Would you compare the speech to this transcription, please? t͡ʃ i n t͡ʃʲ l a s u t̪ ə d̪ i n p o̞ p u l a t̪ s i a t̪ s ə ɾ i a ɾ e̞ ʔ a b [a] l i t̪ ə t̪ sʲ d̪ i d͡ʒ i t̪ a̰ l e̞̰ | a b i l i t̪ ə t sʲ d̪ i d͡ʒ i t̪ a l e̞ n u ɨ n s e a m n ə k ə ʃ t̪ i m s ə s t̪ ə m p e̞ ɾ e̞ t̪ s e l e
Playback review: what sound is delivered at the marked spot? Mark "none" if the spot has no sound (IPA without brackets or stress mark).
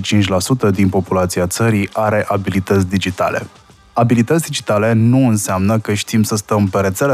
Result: i